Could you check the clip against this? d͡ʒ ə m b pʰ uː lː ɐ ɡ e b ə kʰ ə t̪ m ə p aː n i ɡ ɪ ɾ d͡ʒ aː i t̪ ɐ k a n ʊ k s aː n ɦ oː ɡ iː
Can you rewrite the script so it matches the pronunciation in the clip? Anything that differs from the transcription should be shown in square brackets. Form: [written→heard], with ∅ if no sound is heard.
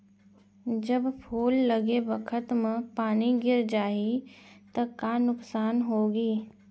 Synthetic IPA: d͡ʒ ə [m→∅] b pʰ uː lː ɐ ɡ e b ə kʰ ə t̪ m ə p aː n i ɡ ɪ ɾ d͡ʒ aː i t̪ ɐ k a n ʊ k s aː n ɦ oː ɡ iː